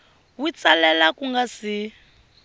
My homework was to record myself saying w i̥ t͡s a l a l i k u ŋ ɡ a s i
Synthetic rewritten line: w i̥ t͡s a l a l a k u ŋ ɡ a s i